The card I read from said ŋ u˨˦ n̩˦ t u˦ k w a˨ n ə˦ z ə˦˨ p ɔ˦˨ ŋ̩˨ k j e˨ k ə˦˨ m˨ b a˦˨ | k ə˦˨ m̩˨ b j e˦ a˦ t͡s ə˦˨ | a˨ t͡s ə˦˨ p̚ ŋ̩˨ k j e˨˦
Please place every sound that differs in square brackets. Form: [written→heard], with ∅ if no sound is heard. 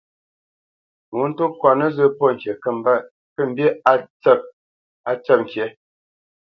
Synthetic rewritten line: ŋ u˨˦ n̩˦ t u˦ k w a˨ n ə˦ z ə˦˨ p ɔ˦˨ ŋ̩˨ k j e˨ k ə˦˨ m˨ b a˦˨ | k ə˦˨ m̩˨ b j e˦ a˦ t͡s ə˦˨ | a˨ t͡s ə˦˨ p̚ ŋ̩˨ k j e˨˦